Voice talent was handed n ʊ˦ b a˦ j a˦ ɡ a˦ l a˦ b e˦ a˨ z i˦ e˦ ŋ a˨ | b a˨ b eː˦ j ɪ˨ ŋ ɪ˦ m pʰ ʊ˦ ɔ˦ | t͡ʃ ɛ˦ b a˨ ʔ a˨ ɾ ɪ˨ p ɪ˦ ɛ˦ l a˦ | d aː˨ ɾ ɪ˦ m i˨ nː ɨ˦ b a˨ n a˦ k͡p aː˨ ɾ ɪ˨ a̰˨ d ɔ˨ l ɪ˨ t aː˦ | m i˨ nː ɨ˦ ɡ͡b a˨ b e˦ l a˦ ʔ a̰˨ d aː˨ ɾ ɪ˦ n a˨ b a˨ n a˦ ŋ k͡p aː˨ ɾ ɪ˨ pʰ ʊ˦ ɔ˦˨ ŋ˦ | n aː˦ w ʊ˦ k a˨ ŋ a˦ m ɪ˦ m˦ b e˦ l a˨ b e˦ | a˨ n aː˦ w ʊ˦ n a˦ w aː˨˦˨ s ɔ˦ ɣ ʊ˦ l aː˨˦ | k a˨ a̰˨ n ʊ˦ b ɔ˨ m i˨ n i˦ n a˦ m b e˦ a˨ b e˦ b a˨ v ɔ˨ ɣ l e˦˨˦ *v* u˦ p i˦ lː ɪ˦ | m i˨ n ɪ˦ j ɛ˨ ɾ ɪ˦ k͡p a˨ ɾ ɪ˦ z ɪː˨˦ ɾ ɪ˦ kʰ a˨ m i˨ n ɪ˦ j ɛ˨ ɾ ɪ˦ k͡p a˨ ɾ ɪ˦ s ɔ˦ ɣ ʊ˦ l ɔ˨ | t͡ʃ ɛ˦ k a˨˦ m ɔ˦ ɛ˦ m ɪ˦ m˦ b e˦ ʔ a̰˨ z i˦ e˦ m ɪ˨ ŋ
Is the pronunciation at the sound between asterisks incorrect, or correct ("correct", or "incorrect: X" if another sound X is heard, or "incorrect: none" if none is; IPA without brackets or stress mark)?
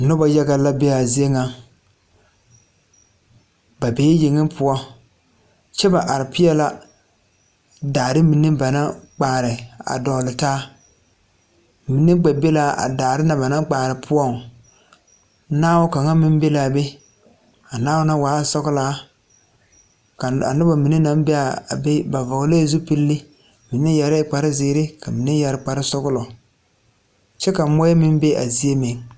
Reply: incorrect: z